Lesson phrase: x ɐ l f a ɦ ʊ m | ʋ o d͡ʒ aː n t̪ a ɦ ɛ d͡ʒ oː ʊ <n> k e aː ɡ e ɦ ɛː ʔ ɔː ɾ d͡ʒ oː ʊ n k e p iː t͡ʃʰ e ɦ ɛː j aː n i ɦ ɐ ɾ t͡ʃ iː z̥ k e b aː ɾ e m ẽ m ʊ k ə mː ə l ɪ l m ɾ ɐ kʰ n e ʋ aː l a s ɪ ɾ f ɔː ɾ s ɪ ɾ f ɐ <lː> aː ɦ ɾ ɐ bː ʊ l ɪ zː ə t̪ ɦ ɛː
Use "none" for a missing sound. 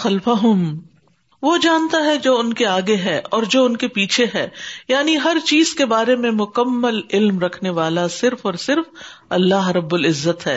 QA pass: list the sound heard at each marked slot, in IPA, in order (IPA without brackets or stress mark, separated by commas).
n, lː